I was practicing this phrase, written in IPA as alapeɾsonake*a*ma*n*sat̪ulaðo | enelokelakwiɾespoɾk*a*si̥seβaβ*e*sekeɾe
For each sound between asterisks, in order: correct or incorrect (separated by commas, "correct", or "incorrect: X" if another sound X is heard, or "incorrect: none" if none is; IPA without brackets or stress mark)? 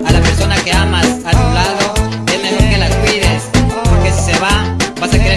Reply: correct, incorrect: none, incorrect: e, incorrect: a